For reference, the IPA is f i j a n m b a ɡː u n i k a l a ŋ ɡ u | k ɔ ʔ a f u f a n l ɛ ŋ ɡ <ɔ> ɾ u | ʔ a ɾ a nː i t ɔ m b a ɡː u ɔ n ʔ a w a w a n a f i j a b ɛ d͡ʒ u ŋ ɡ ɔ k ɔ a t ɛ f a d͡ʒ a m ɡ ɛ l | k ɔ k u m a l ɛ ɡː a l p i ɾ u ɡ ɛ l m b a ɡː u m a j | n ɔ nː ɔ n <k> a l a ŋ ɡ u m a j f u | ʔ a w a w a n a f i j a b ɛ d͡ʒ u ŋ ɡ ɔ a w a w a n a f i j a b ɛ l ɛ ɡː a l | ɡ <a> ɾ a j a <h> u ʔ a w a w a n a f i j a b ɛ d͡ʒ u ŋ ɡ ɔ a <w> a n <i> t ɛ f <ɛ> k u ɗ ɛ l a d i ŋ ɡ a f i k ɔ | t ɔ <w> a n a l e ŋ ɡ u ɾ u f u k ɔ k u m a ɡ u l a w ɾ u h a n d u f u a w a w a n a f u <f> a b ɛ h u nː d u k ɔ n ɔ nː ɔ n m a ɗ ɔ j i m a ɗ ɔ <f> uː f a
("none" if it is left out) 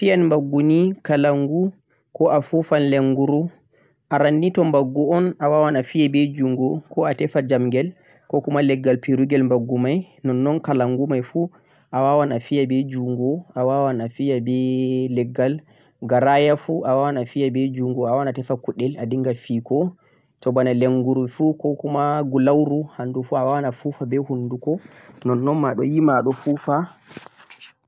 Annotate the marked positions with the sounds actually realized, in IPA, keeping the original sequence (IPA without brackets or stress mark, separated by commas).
u, k, a, f, w, a, a, b, f, f